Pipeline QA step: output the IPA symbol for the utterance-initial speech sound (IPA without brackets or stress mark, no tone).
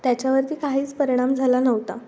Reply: t̪